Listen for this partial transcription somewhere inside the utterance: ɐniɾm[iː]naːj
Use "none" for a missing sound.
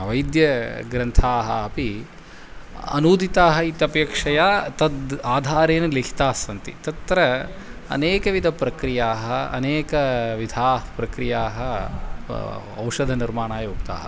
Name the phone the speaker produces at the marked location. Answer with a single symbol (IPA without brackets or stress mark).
aː